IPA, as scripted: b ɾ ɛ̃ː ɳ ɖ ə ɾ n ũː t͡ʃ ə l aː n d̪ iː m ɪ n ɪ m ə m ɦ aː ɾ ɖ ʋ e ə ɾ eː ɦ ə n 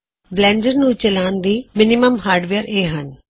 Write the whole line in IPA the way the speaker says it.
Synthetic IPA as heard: b l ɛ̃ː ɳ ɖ ə ɾ n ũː t͡ʃ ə l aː n d̪ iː m ɪ n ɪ m ə m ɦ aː ɾ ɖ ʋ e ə ɾ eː ɦ ə n